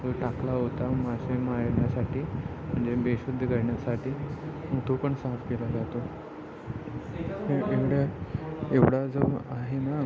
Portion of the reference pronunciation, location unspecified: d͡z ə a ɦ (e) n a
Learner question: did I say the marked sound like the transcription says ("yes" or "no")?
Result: yes